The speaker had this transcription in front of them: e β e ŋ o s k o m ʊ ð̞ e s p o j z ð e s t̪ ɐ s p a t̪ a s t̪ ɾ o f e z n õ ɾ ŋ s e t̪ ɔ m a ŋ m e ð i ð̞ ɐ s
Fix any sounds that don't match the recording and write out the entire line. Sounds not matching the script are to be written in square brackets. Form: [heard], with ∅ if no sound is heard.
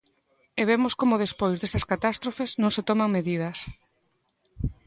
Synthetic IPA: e β e [m] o s k o m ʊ ð̞ e s p o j z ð e s t̪ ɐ s [k] a t̪ a s t̪ ɾ o f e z n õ [∅] ŋ s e t̪ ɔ m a ŋ m e ð i ð̞ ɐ s

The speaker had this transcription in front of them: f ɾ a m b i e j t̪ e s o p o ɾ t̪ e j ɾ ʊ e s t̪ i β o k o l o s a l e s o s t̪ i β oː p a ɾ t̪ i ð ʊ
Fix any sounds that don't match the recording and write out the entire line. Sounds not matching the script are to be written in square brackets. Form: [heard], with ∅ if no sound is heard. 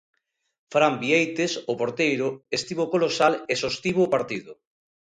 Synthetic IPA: f ɾ a m b i e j t̪ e s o p o ɾ t̪ e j ɾ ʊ e s t̪ i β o k o l o s a l e s o s t̪ i β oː p a ɾ t̪ i ð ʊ

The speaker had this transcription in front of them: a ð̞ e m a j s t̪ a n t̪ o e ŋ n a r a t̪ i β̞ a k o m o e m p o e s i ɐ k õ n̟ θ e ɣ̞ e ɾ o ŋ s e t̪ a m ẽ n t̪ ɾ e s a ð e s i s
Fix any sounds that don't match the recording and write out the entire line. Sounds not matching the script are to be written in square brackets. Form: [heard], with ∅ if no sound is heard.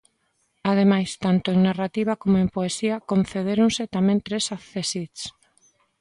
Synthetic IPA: a ð̞ e m a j s t̪ a n t̪ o e ŋ n a r a t̪ i β̞ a k o m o e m p o e s i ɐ k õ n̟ θ e [ð̞] e ɾ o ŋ s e t̪ a m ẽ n t̪ ɾ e s a [θ] e s i s

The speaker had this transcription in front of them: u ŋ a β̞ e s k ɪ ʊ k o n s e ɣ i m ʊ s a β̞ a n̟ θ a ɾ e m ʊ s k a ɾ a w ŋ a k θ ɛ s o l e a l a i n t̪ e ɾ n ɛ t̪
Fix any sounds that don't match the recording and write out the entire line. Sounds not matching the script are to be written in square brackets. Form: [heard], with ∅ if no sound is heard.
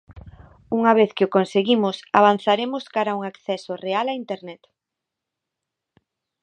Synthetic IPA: u ŋ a β̞ e [θ] k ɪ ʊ k o n s e ɣ i m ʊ s a β̞ a n̟ θ a ɾ e m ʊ s k a ɾ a [u] ŋ a k θ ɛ s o [r] e a l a i n t̪ e ɾ n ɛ t̪

